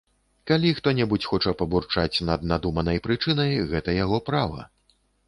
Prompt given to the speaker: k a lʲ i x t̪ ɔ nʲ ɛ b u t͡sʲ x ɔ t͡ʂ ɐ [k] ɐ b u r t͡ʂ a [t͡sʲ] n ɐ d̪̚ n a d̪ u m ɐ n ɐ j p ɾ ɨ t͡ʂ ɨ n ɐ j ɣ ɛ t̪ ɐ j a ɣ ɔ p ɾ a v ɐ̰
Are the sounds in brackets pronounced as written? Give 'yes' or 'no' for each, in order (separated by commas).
no, yes